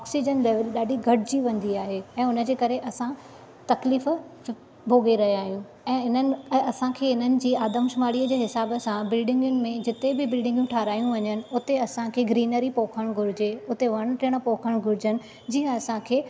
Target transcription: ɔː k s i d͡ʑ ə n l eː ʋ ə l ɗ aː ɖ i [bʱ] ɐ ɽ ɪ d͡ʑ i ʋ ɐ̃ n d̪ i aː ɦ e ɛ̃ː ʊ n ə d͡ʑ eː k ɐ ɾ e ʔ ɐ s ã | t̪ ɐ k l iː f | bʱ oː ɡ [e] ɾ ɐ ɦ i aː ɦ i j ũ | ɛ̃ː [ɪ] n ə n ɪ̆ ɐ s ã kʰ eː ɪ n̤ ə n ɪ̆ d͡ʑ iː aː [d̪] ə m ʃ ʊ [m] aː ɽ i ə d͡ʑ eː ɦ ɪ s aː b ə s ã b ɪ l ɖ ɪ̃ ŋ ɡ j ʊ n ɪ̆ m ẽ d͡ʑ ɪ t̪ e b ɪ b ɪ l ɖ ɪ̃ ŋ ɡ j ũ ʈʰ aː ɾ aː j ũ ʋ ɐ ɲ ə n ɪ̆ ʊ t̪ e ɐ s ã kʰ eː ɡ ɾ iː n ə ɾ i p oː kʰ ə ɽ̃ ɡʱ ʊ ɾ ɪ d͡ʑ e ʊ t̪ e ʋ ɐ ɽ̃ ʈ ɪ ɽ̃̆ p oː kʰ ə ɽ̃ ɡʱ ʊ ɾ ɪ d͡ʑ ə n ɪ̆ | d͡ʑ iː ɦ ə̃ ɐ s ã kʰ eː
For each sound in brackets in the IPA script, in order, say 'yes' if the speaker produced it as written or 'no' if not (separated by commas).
no, yes, yes, yes, yes